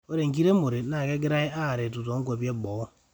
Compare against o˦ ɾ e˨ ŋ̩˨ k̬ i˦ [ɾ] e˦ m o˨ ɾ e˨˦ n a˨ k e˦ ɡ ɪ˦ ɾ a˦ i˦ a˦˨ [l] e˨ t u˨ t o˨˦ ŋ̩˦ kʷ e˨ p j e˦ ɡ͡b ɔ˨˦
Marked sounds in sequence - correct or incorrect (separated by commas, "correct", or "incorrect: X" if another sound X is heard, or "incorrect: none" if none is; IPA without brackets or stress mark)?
correct, incorrect: ɾ